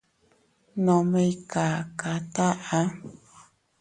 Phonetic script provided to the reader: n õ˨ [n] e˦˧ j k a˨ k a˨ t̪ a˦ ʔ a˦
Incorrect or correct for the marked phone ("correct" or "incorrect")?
incorrect